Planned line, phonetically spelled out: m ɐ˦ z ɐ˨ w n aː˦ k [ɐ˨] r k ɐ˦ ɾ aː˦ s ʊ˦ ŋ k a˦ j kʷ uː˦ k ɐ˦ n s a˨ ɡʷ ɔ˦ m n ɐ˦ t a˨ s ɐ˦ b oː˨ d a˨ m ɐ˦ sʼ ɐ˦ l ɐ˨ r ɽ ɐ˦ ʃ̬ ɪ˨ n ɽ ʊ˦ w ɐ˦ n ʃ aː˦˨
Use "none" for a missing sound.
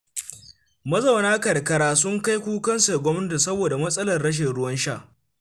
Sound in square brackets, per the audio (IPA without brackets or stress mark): ɐ˨